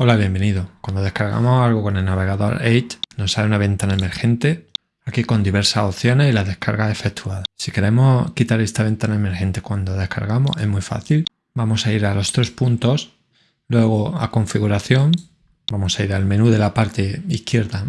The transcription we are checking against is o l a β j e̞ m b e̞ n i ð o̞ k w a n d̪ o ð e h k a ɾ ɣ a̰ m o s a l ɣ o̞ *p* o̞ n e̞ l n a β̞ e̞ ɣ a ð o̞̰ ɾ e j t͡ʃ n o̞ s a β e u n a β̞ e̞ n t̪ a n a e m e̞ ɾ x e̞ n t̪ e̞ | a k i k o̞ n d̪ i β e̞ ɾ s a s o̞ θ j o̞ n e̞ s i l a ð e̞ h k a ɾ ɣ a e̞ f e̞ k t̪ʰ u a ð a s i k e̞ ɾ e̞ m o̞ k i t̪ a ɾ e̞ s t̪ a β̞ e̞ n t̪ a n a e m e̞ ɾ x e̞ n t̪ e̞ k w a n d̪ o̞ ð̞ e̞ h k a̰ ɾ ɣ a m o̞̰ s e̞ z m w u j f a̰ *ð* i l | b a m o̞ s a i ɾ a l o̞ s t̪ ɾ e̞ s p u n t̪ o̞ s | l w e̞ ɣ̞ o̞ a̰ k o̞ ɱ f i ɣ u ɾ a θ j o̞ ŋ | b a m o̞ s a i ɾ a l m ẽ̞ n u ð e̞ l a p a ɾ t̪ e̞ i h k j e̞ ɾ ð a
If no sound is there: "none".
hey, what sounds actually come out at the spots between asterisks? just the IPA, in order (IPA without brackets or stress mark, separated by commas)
k, θ